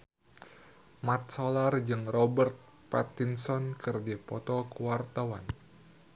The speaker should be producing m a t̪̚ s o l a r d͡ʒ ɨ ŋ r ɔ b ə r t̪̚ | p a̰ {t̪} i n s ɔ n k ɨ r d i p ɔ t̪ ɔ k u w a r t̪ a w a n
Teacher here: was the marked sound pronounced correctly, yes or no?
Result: yes